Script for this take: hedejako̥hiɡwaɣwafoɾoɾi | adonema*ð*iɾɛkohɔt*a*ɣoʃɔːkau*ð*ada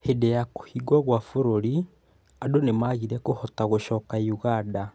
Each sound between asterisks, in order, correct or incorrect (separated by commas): incorrect, correct, incorrect